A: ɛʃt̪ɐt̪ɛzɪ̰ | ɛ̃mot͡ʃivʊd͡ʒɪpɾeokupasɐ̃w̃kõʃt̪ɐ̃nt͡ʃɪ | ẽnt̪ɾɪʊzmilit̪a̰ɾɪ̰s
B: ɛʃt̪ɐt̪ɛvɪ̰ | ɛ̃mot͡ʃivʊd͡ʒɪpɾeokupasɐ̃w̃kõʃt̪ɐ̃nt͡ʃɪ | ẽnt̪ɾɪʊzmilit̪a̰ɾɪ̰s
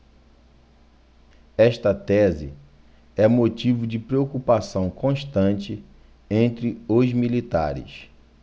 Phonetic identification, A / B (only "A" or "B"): A